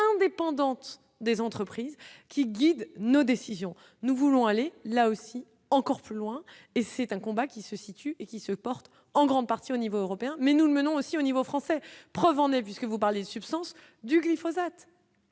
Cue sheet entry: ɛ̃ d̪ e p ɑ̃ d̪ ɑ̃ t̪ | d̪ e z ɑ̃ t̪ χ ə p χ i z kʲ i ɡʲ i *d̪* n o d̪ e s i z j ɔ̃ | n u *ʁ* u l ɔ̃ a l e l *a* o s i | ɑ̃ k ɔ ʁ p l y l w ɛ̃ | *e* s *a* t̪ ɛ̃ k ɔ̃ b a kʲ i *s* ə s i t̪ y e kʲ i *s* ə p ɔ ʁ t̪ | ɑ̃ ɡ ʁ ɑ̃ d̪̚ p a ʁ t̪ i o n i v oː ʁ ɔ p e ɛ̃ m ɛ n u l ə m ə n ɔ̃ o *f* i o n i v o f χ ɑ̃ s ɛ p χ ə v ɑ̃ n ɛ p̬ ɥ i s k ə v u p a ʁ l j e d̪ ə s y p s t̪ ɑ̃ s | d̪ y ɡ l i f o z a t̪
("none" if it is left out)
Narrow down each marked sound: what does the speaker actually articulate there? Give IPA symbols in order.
d̪, v, a, e, ɛ, s, s, s

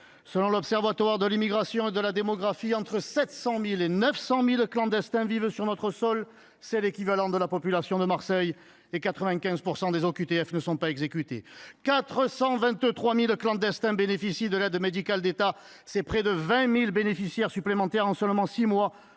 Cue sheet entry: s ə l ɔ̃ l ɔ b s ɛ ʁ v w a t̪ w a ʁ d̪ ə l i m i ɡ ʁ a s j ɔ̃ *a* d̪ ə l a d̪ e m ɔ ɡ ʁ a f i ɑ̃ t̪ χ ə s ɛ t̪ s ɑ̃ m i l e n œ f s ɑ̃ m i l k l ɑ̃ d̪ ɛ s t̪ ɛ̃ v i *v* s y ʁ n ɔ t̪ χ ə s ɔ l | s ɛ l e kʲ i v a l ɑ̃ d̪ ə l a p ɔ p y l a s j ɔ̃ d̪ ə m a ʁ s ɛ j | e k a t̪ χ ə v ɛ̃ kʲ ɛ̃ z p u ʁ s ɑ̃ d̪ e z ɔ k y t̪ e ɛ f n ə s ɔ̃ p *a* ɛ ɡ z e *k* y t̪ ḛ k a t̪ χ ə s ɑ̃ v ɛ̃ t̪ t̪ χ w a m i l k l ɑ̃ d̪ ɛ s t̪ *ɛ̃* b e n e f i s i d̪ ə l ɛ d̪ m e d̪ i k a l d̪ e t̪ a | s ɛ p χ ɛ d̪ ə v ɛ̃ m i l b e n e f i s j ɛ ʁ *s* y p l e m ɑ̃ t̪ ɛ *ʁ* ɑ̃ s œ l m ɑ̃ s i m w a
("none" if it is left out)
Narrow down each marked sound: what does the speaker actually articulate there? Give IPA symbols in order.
e, v, a, k, ɛ̃, s, ʁ

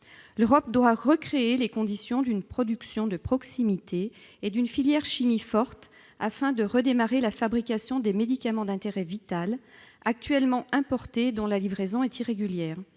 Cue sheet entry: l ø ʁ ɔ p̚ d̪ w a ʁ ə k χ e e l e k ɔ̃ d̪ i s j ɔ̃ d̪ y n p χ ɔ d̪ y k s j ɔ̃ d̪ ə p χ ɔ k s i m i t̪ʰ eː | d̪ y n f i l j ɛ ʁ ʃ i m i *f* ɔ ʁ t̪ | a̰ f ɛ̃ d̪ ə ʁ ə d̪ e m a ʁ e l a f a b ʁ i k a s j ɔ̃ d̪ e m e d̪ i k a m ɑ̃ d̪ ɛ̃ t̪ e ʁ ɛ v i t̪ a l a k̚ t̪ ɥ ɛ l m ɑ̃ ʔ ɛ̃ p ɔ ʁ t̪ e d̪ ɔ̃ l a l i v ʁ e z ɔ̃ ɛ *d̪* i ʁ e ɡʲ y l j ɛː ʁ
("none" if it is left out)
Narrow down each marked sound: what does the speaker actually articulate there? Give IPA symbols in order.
f, t̪

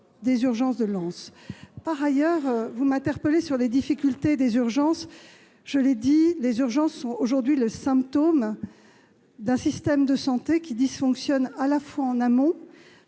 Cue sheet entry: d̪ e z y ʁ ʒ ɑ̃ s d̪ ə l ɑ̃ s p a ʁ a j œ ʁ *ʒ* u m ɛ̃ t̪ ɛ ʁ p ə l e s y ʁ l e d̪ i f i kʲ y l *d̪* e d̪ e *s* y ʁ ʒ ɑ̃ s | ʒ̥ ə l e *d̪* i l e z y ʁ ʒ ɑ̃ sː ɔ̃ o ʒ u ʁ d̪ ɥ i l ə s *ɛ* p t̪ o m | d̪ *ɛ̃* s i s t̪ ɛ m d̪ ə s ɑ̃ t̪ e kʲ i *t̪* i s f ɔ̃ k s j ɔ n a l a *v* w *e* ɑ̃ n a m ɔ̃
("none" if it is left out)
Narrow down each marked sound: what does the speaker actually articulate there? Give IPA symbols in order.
v, t̪, z, d̪, ɛ̃, ɛ̃, d̪, f, a

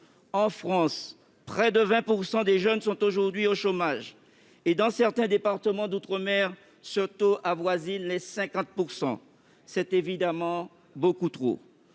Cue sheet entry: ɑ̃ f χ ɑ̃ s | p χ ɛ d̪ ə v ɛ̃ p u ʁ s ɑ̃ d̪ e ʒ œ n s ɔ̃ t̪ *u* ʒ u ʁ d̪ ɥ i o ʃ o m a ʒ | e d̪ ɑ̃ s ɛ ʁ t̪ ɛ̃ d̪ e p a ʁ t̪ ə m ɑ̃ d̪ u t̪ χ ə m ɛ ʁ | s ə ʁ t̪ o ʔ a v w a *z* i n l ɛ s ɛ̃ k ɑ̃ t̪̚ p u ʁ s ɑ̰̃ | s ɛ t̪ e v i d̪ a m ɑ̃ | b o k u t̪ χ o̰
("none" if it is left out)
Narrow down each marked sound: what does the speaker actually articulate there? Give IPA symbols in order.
o, z

